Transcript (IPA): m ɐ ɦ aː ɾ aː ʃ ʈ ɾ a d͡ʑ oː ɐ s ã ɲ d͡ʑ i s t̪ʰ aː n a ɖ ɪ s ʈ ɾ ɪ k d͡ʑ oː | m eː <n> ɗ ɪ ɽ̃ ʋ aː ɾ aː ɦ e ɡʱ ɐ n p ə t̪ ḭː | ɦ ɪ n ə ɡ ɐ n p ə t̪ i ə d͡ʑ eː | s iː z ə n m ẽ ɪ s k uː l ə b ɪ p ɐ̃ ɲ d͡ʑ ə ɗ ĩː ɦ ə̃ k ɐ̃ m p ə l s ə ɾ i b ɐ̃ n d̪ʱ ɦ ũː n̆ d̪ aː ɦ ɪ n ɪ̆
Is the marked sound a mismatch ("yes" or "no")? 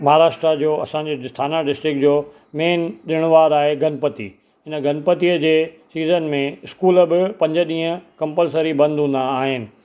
no